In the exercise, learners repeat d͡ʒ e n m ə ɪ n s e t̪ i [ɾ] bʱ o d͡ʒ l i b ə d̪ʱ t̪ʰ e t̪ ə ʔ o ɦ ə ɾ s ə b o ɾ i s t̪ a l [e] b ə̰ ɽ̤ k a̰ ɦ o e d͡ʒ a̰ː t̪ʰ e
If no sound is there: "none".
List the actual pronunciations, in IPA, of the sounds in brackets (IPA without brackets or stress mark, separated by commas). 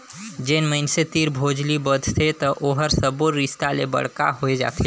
ɾ, e